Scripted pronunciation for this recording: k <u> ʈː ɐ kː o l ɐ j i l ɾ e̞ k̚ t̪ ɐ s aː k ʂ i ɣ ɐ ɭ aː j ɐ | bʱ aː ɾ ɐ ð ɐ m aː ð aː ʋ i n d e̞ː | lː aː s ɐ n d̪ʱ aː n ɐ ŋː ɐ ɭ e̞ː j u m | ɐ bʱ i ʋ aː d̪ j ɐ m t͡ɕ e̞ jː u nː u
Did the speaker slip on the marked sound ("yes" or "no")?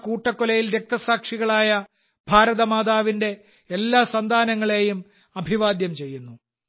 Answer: yes